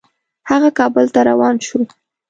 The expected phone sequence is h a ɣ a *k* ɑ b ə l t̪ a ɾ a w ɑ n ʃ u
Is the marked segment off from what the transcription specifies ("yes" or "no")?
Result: no